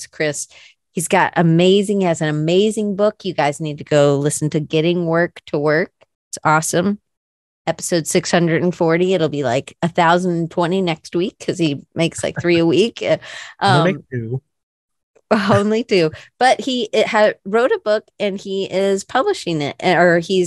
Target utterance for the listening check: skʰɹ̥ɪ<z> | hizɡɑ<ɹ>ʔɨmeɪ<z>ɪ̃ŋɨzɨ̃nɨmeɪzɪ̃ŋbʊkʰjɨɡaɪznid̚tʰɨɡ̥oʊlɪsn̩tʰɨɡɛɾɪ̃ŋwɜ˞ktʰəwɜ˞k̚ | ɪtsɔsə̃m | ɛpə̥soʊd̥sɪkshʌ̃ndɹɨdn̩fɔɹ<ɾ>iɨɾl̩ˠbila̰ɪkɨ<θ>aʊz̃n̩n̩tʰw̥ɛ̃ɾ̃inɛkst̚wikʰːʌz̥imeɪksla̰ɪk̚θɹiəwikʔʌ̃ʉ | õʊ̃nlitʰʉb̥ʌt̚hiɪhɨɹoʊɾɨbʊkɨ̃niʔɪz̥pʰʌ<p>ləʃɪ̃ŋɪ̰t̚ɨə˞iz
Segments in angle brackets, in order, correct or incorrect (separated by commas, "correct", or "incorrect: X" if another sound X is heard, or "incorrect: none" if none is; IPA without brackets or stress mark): incorrect: s, incorrect: ɾ, correct, correct, correct, incorrect: b